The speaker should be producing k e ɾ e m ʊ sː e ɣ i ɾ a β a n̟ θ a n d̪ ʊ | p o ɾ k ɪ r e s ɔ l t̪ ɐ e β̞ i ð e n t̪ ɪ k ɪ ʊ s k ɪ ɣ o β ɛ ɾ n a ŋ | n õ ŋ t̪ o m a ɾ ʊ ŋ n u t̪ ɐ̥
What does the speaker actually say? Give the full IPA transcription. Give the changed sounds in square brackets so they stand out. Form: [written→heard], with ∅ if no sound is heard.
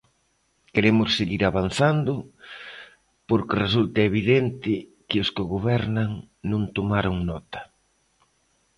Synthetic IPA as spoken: k e ɾ e m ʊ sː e ɣ i ɾ a β a n̟ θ a n d̪ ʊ | p o ɾ k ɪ r e s [ɔ→u] l t̪ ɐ e β̞ i ð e n t̪ ɪ k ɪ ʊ s k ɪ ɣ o β ɛ ɾ n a ŋ | n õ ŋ t̪ o m a ɾ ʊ ŋ n [u→ɔ] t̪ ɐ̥